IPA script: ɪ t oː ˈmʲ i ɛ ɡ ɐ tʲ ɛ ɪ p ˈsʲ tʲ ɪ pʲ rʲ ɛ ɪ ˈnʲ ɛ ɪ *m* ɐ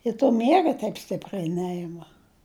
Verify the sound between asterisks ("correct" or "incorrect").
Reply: correct